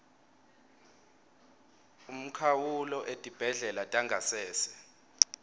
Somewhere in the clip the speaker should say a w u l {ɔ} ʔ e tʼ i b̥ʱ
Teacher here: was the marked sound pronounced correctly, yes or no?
yes